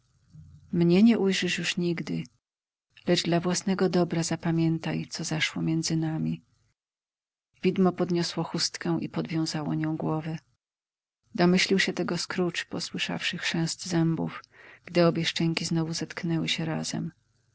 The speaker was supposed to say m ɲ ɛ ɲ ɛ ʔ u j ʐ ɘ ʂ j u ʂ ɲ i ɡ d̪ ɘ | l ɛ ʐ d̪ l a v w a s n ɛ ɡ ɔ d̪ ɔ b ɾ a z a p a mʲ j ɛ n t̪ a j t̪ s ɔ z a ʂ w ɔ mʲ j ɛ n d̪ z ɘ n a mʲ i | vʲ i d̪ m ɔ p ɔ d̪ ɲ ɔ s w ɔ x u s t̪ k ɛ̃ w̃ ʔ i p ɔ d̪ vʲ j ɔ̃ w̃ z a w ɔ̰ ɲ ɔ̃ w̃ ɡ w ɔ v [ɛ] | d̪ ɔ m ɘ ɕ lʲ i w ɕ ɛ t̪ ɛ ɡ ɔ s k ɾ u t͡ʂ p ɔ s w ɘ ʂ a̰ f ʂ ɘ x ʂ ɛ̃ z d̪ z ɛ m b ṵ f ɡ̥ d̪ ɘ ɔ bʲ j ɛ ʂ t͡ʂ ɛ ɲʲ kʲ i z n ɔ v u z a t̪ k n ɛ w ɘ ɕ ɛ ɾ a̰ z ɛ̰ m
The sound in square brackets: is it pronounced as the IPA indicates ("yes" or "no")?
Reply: yes